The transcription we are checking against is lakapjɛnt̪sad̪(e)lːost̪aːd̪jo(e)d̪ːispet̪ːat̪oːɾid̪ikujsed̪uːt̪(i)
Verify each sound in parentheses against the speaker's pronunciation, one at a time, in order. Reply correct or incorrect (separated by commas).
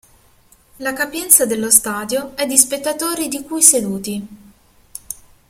correct, incorrect, correct